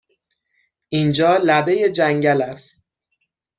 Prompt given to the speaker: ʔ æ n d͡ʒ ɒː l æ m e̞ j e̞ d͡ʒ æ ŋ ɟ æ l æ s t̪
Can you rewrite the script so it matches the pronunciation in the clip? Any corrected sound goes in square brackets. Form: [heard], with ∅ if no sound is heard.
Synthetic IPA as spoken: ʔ [i] n d͡ʒ ɒː l æ [b] e̞ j e̞ d͡ʒ æ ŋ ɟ æ l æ s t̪